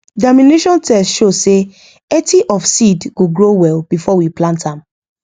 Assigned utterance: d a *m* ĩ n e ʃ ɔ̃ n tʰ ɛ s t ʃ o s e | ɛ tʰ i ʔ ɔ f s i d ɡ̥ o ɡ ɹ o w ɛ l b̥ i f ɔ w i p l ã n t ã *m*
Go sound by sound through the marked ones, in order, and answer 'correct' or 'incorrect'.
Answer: correct, correct

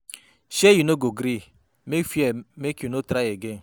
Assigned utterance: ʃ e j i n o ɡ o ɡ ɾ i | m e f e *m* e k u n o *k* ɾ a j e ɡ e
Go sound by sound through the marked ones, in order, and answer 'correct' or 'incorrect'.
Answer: correct, incorrect: t

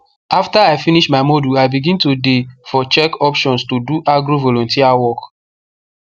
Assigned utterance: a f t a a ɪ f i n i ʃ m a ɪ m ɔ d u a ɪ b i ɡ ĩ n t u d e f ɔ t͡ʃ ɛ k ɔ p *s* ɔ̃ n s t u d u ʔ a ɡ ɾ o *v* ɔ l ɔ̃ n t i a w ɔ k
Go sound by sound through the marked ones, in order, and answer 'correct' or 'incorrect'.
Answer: incorrect: ʃ, correct

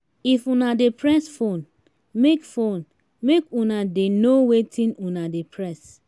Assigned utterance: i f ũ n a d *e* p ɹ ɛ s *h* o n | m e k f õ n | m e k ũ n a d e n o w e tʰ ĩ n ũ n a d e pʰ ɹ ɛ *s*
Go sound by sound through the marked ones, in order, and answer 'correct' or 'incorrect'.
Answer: correct, incorrect: f, correct

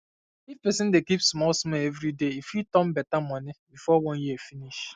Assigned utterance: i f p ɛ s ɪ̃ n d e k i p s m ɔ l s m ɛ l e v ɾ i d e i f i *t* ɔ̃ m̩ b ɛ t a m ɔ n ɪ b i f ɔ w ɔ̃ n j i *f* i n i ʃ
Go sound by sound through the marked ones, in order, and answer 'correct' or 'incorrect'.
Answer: correct, correct

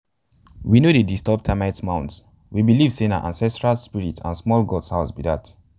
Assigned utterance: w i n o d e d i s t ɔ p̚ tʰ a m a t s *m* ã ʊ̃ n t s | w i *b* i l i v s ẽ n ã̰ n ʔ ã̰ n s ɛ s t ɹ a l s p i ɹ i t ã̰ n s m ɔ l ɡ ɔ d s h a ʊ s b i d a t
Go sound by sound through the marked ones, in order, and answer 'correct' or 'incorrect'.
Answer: correct, correct

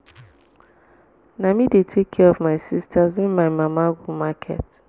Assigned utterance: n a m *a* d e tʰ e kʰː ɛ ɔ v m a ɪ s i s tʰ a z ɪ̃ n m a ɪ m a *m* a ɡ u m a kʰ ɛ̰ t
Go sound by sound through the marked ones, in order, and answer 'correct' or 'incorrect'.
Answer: incorrect: i, correct

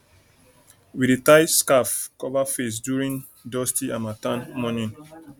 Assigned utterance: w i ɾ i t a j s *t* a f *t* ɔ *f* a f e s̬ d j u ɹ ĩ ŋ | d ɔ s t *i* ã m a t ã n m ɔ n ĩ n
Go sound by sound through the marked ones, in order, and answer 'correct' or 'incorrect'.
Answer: incorrect: k, incorrect: k, incorrect: v, correct

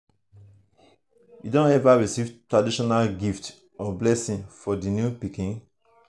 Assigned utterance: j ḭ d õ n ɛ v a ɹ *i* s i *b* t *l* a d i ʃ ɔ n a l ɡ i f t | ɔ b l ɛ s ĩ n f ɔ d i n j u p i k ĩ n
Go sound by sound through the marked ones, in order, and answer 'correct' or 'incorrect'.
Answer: correct, incorrect: v, incorrect: ɹ

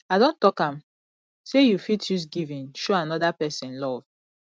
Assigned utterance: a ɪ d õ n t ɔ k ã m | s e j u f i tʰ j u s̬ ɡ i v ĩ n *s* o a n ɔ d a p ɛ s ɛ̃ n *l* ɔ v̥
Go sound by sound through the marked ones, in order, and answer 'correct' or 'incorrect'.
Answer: incorrect: ʃ, correct

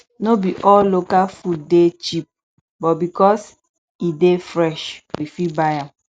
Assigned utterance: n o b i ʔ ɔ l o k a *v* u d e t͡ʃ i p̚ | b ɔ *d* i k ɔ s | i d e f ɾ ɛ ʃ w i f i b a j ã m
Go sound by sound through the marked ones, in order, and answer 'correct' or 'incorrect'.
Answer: incorrect: f, incorrect: b

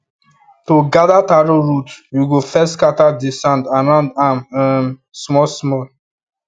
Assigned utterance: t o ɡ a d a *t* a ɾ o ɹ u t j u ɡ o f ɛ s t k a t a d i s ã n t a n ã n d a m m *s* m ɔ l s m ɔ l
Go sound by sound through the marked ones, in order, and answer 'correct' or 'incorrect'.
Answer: correct, correct

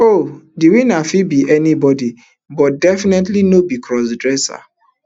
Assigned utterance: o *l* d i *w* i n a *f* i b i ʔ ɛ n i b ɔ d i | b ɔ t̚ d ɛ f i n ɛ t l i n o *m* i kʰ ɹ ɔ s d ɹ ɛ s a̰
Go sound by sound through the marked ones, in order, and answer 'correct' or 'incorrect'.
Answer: incorrect: none, correct, correct, incorrect: b

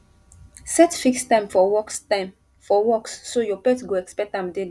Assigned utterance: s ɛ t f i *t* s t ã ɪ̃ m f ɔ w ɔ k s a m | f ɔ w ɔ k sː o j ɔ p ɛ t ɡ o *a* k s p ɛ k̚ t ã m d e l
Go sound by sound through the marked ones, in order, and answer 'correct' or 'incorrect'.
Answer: incorrect: k, incorrect: ɛ

